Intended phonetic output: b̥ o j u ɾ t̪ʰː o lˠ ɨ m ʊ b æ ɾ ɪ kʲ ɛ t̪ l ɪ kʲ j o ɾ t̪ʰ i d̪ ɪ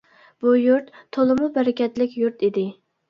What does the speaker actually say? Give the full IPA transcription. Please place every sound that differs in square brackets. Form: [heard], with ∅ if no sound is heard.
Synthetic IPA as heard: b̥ [u] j u ɾ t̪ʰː o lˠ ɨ m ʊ b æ ɾ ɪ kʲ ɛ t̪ l ɪ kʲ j [u] ɾ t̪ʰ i d̪ ɪ